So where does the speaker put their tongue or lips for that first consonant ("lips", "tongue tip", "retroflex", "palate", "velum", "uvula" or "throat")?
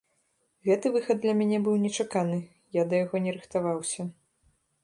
velum